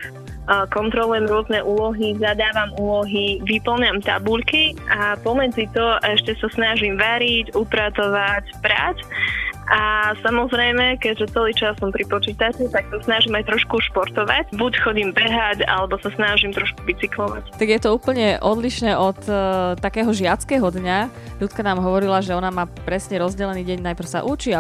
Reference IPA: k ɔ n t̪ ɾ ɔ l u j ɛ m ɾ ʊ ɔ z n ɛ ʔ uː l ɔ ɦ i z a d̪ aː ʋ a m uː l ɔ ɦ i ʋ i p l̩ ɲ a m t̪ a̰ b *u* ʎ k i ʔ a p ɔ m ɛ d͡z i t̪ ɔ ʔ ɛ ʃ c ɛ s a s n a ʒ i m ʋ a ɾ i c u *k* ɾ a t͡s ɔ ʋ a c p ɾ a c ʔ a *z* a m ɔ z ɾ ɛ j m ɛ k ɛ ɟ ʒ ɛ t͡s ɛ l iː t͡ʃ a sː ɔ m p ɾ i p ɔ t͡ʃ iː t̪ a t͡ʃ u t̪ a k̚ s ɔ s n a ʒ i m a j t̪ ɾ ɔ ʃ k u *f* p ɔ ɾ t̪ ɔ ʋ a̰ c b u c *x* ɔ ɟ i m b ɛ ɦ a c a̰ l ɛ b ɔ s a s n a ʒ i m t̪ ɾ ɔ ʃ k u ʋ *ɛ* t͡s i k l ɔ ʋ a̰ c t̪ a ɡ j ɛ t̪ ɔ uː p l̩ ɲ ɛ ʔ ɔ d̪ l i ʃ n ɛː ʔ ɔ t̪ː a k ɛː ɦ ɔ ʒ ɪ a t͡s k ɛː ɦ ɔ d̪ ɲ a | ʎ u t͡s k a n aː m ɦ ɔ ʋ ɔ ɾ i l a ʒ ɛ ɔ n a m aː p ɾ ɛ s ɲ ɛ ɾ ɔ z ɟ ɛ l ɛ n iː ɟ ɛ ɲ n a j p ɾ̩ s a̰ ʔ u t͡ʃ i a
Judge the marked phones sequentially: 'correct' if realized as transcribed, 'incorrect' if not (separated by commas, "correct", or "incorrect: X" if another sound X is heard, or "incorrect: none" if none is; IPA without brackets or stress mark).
correct, incorrect: p, incorrect: s, incorrect: ʃ, correct, incorrect: i